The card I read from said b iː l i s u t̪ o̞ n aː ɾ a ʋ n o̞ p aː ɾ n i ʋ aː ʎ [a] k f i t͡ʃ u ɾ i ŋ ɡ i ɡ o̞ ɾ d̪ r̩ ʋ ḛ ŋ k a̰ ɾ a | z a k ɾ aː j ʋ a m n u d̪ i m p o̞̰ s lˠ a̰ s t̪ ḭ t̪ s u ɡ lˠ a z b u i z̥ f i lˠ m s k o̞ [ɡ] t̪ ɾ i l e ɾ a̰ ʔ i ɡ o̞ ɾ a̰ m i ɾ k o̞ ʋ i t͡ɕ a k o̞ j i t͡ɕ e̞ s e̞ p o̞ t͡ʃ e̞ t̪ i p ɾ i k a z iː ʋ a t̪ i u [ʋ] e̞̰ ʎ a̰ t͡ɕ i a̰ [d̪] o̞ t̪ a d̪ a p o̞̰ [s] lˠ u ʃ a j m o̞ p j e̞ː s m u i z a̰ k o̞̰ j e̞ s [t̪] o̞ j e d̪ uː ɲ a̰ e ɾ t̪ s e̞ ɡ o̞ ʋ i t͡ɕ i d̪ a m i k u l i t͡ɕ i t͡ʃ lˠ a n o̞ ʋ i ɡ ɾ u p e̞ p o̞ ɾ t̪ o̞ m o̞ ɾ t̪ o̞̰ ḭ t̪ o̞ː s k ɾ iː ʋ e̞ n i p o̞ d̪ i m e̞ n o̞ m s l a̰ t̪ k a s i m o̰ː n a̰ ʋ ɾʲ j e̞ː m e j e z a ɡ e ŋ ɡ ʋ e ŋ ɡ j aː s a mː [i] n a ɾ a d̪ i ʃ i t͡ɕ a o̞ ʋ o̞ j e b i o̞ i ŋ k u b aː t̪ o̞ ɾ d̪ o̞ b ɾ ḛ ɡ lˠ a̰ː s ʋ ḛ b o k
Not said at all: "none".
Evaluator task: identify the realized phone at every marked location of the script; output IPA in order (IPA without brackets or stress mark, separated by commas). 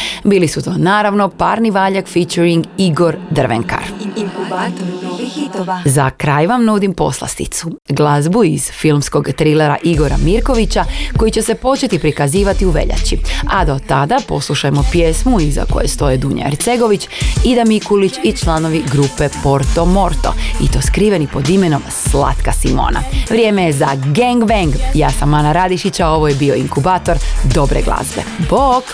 a, ɡ, ʋ, d̪, s, t̪, a